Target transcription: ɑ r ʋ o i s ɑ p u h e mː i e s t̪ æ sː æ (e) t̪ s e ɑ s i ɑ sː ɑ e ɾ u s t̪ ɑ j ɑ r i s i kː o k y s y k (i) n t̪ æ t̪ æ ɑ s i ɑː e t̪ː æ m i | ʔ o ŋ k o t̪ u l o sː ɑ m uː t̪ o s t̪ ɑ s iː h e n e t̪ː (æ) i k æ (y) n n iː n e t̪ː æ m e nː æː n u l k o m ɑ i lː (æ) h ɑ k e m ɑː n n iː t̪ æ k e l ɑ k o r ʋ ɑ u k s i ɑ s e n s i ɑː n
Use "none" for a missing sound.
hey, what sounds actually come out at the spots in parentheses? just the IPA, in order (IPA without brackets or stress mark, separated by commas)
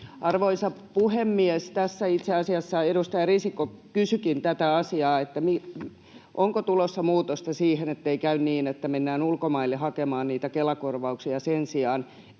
i, i, e, y, e